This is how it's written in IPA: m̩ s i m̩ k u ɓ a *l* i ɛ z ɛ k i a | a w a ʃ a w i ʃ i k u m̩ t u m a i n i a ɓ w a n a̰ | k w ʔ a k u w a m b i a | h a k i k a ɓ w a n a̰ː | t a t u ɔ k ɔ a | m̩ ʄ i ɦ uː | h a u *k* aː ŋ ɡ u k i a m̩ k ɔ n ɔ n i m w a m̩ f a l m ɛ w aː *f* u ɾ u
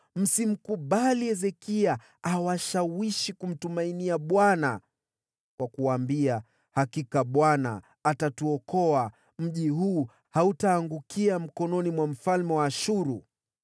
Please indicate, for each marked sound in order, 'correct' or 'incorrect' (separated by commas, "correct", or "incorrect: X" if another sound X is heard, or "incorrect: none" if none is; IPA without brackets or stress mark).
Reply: correct, incorrect: t, incorrect: ʃ